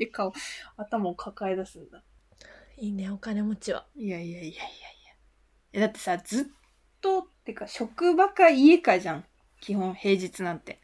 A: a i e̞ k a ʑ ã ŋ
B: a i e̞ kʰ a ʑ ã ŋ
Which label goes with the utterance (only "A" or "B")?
A